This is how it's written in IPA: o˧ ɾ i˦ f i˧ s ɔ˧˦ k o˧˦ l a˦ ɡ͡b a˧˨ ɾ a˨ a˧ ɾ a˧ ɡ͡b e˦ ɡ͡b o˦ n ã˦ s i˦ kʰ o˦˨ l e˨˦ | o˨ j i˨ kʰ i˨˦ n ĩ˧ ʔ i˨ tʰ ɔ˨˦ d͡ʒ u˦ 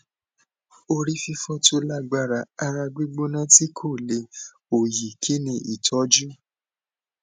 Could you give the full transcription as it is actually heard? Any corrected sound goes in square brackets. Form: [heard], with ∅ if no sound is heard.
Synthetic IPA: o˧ ɾ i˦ f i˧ [f] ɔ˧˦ [t] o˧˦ l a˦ ɡ͡b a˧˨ ɾ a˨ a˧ ɾ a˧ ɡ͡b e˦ ɡ͡b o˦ n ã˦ [t] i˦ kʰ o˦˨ l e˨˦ | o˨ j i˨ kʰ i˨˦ n ĩ˧ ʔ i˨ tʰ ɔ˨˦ d͡ʒ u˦